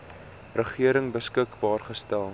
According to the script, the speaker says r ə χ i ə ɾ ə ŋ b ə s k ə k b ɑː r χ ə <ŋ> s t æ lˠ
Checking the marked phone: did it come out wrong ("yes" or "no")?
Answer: yes